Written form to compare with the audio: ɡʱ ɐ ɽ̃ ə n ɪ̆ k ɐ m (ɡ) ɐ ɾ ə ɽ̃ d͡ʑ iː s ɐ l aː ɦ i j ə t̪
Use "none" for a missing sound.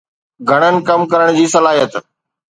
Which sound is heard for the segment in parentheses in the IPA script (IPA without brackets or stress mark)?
k